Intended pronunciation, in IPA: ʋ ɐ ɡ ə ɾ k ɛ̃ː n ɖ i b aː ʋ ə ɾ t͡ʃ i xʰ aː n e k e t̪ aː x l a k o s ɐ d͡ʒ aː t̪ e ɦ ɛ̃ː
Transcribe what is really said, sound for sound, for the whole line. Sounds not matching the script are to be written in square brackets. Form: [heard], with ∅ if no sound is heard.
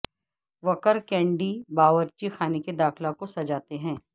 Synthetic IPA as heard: ʋ ɐ [k] ə ɾ k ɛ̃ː [ɳ] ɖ i b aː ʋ ə ɾ t͡ʃ i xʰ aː n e k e [d̪] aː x l a k o s ɐ d͡ʒ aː t̪ e ɦ ɛ̃ː